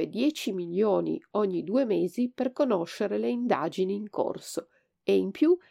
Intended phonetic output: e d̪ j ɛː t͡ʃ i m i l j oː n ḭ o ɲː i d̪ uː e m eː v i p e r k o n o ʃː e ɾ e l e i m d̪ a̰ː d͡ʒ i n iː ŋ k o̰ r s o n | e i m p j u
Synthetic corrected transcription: e d̪ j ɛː t͡ʃ i m i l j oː n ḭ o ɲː i d̪ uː e m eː z i p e r k o n o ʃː e ɾ e l e i n d̪ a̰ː d͡ʒ i n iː ŋ k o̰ r s o | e i m p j u